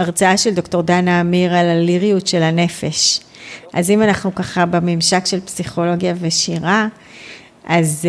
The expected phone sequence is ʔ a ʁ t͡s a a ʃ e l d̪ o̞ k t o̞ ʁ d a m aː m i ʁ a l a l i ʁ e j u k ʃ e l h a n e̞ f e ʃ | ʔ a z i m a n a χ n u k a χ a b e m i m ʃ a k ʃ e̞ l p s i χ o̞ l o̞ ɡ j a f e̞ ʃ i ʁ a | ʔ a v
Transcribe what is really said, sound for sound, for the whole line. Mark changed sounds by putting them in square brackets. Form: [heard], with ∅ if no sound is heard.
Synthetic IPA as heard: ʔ a ʁ t͡s a a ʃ e l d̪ o̞ k t o̞ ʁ d a [n] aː m i ʁ a l a l i ʁ [i] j u [t] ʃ e l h a n e̞ f e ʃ | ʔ a z i m a n a χ n u k a χ a b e m i m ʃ a k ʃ e̞ l p s i χ o̞ l o̞ ɡ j a [v] e̞ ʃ i ʁ a | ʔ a [z]